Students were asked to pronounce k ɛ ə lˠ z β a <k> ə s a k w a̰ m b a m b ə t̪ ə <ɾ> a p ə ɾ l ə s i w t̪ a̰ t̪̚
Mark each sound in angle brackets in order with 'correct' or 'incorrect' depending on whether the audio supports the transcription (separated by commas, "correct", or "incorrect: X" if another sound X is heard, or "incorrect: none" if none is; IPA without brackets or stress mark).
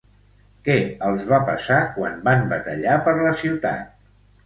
incorrect: p, incorrect: ʎ